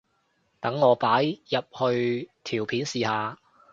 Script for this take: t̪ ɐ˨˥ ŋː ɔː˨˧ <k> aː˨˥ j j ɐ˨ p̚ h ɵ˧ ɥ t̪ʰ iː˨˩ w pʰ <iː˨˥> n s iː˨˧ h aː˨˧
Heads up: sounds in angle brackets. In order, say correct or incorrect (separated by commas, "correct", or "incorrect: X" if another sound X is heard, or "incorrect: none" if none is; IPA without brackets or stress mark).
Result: incorrect: p, correct